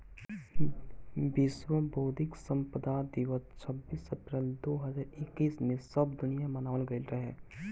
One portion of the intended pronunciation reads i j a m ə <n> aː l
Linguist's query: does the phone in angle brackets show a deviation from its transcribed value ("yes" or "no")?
no